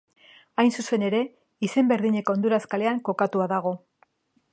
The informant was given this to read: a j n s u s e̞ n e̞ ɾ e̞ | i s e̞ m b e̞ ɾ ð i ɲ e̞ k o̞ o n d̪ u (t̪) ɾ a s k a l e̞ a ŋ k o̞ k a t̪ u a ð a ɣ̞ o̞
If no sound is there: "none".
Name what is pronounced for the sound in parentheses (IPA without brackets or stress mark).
none